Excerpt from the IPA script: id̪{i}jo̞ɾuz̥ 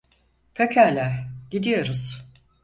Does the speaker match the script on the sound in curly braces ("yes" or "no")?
yes